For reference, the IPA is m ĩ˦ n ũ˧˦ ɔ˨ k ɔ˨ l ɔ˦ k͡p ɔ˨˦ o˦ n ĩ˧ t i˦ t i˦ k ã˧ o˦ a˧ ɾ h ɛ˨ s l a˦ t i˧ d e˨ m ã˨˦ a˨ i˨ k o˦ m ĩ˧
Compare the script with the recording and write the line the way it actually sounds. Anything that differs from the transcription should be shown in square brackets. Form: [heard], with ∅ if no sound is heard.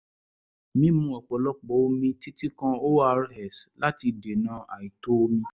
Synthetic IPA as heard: m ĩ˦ [m] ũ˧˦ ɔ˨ [k͡p] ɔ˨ l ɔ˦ k͡p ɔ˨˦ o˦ [m] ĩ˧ t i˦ t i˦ k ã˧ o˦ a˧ ɾ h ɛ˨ s l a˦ t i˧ d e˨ [n] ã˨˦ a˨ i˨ [t] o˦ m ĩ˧